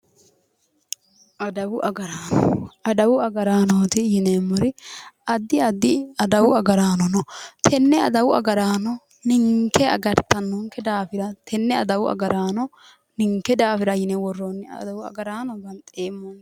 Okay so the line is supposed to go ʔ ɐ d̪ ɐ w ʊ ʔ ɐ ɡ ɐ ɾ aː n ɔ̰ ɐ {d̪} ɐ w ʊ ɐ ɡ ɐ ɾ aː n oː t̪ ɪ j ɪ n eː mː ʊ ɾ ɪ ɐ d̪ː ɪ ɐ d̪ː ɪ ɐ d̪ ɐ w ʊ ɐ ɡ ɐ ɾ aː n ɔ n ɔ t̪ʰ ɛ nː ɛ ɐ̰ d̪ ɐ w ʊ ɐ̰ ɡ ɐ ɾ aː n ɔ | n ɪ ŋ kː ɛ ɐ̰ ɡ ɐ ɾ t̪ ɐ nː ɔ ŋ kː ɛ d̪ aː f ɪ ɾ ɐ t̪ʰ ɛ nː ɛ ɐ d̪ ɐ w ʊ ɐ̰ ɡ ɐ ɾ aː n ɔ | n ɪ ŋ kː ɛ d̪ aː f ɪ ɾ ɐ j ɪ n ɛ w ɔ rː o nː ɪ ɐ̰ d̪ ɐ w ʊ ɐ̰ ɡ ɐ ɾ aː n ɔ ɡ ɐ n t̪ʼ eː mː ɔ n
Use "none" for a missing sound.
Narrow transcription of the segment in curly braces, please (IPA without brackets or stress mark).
d̪